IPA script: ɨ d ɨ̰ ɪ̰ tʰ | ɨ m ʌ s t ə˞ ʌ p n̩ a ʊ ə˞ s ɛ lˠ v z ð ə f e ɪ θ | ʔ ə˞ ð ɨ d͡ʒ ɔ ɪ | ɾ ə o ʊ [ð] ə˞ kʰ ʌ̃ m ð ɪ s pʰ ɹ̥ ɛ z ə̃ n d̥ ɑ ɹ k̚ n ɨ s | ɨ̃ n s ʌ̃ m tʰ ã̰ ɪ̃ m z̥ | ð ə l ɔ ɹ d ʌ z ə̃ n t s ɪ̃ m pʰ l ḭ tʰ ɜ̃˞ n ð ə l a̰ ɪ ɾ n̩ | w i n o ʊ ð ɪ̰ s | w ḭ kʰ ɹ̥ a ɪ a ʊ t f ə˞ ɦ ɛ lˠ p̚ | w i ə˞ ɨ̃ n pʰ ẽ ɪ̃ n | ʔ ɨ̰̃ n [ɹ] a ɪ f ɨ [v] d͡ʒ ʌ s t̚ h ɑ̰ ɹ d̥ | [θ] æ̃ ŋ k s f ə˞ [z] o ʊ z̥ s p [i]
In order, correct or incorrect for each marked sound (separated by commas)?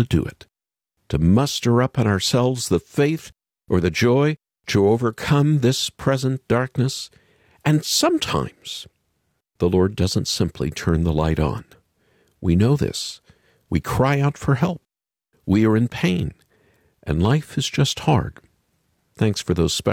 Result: incorrect, incorrect, incorrect, correct, incorrect, incorrect